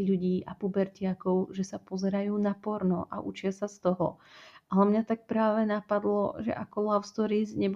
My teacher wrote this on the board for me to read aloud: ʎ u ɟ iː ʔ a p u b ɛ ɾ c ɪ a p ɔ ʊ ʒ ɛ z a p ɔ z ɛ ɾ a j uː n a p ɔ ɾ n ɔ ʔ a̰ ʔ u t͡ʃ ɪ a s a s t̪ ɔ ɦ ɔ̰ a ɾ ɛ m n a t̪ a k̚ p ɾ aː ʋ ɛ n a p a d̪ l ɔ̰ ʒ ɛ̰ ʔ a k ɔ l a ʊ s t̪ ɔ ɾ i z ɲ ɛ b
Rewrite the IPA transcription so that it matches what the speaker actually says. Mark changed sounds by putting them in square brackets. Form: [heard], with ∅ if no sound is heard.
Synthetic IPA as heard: ʎ u ɟ iː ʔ a p u b ɛ ɾ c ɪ a [k] ɔ ʊ ʒ ɛ [s] a p ɔ z ɛ ɾ a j uː n a p ɔ ɾ n ɔ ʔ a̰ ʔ u t͡ʃ ɪ a s a s t̪ ɔ ɦ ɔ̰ a [l] ɛ m [ɲ] a t̪ a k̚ p ɾ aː ʋ ɛ n a p a d̪ l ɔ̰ ʒ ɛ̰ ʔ a k ɔ l a ʊ s t̪ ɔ ɾ i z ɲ ɛ b